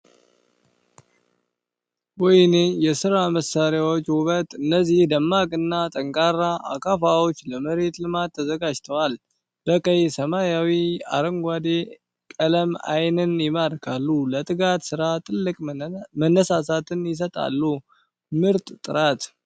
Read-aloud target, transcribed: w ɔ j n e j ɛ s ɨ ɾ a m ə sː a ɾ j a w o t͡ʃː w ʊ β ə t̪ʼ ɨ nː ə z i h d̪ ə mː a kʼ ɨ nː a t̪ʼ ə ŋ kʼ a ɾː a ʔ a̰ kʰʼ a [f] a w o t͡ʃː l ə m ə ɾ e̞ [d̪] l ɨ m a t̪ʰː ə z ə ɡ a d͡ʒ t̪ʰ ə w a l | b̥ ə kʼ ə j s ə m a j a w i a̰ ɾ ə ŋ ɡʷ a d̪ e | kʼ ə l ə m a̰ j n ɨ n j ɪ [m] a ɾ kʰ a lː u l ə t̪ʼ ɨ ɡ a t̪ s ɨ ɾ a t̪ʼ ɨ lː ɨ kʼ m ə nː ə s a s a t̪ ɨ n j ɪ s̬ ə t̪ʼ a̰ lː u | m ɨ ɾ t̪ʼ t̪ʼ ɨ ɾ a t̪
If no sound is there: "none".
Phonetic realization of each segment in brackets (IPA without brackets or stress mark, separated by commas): f, t̪, m